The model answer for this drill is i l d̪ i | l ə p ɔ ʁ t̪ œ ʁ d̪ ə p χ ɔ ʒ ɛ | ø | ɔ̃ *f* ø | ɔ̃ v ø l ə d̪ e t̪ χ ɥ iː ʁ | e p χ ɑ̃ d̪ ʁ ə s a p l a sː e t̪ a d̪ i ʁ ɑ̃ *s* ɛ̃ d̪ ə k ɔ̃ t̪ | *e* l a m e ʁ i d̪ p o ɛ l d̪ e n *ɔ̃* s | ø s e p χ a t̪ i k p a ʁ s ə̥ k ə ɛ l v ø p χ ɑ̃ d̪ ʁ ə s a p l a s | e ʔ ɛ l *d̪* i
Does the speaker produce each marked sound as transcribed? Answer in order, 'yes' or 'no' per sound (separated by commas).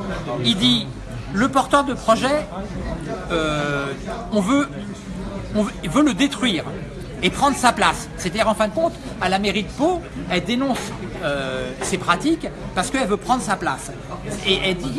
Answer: no, no, no, yes, yes